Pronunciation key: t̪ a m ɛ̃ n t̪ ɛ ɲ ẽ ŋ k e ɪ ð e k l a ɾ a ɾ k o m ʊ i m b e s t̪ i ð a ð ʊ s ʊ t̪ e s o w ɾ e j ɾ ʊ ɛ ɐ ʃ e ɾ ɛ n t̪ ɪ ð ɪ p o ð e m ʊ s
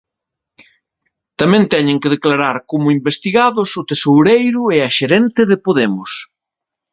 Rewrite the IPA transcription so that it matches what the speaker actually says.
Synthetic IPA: t̪ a m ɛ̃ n t̪ ɛ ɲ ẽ ŋ k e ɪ ð e k l a ɾ a ɾ k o m ʊ i m b e s t̪ i ɣ a ð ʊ s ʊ t̪ e s o w ɾ e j ɾ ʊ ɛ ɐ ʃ e ɾ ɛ n t̪ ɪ ð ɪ p o ð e m ʊ s

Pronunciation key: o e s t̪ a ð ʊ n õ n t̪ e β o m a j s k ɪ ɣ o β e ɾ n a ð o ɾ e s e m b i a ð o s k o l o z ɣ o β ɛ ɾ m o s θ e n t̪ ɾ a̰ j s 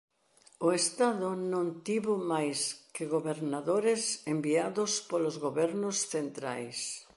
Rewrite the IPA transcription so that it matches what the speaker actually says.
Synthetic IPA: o e s t̪ a ð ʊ n õ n t̪ i β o m a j s k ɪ ɣ o β e ɾ n a ð o ɾ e s e m b i a ð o s p o l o z ɣ o β ɛ ɾ n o s θ e n t̪ ɾ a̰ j s

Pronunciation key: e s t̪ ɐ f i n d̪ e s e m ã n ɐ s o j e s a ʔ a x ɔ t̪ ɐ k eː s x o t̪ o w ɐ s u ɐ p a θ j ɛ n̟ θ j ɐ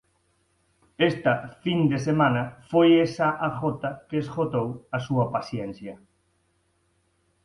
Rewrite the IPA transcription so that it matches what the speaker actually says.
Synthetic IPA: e s t̪ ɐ f i n d̪ e s e m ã n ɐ f o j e s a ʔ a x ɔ t̪ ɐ k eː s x o t̪ o w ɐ s u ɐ p a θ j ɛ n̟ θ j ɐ

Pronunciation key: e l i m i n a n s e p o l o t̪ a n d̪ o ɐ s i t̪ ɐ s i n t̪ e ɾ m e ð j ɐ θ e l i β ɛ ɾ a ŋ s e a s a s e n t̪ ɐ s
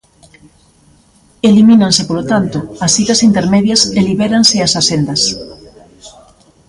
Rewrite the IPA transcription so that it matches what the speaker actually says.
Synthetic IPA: e l i m i n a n s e p o l o t̪ a n t̪ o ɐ s i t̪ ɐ s i n t̪ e ɾ m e ð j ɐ s e l i β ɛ ɾ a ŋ s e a s a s e n d̪ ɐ s

